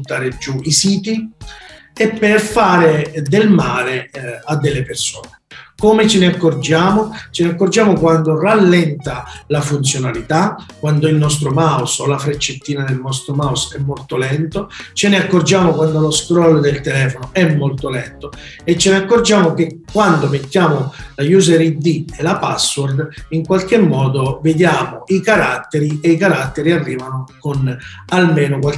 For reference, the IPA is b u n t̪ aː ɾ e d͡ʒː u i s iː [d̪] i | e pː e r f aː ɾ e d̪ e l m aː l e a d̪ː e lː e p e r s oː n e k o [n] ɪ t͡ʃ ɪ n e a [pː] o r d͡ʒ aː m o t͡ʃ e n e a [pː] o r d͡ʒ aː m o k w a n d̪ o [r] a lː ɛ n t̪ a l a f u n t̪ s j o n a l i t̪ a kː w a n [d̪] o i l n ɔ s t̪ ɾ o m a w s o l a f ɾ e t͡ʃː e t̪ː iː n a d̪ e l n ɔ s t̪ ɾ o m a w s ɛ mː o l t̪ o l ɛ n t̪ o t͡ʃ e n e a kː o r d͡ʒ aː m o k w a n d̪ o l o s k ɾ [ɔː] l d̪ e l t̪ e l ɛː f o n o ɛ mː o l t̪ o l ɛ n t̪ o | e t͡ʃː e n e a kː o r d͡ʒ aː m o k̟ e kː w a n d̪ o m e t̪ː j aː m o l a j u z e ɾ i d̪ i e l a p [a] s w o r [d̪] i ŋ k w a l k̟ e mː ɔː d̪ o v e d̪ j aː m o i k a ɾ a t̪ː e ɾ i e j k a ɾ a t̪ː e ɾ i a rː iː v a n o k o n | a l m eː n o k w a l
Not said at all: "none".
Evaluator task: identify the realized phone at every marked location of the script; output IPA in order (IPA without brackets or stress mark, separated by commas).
t̪, m, kː, kː, r, d̪, ɔ, a, d̪